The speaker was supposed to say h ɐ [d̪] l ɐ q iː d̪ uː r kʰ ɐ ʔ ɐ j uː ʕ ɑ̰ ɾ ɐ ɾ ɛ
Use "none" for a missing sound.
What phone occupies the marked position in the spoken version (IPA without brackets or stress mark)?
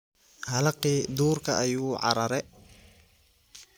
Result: none